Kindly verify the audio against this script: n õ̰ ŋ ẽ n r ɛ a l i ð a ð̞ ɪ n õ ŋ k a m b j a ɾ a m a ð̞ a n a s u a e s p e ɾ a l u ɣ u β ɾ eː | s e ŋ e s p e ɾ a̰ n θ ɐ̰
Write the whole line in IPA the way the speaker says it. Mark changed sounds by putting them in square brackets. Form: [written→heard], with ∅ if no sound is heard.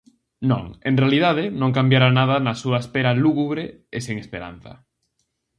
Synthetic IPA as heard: n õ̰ ŋ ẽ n r [ɛ→e] a l i ð a ð̞ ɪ n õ ŋ k a m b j a ɾ a [m→n] a ð̞ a n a s u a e s p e ɾ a l u ɣ u β ɾ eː | s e ŋ e s p e ɾ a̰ n θ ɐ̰